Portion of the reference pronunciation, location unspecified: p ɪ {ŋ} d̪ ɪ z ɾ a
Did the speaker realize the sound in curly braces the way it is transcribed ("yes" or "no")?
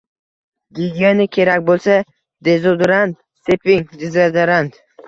yes